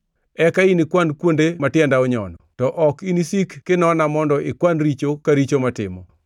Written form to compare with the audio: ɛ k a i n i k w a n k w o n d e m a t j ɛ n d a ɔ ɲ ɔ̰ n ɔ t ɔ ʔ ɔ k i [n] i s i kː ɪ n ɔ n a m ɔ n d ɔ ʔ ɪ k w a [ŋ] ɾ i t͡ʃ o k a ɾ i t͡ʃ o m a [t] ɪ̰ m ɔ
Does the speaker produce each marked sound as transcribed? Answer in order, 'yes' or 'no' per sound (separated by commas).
yes, no, yes